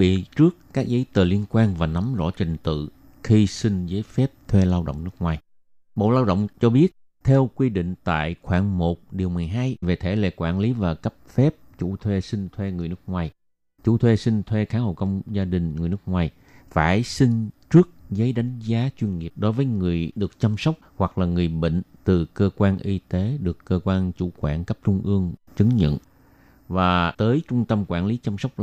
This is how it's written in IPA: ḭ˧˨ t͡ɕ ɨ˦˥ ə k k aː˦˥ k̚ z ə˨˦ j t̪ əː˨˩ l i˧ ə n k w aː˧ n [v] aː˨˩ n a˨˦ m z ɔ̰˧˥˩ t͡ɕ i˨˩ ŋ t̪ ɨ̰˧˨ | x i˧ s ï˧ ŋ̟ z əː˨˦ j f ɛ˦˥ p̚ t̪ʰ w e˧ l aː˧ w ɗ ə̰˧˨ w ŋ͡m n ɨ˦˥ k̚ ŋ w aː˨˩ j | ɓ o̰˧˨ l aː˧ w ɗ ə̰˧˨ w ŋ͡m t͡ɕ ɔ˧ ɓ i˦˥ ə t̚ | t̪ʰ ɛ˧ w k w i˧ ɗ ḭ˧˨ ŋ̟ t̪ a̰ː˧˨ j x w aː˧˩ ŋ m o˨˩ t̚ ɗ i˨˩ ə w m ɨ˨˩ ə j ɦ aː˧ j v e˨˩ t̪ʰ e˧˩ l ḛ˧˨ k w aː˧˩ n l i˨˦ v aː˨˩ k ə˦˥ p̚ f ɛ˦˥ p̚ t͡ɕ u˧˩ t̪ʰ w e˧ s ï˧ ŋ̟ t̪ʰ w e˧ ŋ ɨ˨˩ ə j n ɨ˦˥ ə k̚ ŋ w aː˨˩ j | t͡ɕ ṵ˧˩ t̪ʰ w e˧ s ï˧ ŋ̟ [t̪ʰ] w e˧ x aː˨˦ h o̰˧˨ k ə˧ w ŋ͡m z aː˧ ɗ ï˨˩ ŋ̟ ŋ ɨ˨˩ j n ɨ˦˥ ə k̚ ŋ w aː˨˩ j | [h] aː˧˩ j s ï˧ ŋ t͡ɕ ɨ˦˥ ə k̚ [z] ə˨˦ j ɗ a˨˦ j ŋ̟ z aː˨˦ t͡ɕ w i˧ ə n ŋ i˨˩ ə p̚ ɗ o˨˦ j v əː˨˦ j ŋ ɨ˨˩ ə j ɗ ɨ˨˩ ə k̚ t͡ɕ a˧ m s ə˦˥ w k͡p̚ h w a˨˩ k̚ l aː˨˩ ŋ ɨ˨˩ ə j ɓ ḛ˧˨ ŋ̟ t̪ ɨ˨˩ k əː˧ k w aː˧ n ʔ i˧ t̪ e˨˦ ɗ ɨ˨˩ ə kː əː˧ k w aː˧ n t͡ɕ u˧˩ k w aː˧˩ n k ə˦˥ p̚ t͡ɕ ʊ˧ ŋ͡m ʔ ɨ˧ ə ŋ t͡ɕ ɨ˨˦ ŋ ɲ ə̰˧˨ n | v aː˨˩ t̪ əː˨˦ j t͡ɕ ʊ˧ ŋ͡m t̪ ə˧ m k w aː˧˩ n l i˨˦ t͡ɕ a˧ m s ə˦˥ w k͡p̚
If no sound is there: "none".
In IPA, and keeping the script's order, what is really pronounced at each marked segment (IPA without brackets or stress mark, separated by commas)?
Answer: v, t̪ʰ, f, z